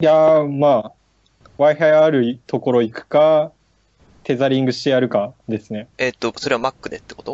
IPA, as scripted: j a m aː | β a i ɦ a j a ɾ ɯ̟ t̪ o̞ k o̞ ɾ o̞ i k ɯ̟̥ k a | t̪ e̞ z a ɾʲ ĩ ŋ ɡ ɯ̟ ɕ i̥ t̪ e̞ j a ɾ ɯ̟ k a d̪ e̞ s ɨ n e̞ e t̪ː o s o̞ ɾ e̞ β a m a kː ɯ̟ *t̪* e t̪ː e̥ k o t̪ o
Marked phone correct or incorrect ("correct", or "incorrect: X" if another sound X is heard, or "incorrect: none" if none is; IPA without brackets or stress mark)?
incorrect: d̪